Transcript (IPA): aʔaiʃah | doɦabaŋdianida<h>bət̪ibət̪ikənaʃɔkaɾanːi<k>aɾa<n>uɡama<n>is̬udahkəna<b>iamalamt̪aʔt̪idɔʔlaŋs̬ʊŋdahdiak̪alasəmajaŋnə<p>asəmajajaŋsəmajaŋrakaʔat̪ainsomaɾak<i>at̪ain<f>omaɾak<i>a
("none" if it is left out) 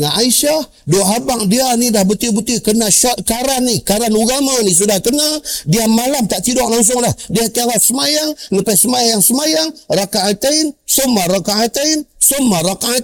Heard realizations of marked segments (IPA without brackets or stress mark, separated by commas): h, k, n, n, d, p, a, s, a